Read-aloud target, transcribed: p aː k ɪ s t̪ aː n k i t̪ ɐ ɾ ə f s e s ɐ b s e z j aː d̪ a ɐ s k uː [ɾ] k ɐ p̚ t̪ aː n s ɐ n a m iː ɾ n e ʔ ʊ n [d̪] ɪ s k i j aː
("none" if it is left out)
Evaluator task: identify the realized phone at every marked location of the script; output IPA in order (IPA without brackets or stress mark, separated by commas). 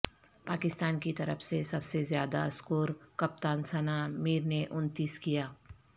ɾ, t̪